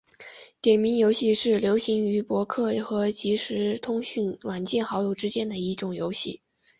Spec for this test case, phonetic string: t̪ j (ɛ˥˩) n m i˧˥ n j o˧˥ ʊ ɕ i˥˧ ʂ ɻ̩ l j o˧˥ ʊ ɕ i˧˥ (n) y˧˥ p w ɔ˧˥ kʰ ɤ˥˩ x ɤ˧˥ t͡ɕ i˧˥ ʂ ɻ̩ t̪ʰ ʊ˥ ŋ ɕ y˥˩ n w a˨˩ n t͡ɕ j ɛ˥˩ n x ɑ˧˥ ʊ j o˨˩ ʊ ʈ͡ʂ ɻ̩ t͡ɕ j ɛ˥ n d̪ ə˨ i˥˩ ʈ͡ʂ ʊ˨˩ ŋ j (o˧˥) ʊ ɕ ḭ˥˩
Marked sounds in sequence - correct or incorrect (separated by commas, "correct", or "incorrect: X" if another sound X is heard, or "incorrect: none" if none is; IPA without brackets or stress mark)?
incorrect: ɛ˨˩, incorrect: ŋ, correct